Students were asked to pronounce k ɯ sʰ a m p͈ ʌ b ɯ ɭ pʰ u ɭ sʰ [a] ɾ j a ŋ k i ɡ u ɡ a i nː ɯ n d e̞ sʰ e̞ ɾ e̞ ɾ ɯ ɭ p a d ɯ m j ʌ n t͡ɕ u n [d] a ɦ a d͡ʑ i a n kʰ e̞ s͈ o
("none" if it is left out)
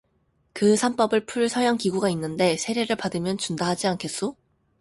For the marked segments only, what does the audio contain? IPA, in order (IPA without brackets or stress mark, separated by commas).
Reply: ʌ, d